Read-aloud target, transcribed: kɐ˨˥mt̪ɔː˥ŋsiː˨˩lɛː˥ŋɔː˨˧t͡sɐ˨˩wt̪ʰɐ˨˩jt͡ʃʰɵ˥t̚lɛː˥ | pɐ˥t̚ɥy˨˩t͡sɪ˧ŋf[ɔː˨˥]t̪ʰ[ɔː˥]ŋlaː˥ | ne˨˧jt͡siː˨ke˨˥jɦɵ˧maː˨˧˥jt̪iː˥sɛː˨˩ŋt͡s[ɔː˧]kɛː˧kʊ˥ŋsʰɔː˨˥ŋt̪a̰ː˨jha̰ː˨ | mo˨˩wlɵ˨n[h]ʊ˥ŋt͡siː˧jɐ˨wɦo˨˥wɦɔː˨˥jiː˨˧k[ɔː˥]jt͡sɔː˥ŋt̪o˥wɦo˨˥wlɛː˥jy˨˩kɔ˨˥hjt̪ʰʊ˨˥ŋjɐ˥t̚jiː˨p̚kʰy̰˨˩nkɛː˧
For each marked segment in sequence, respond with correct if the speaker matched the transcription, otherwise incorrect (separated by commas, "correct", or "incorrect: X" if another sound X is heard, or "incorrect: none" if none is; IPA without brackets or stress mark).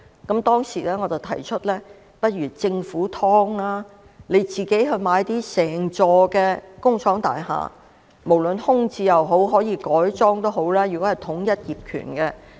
incorrect: uː˨˥, correct, correct, correct, incorrect: ɔː˨˥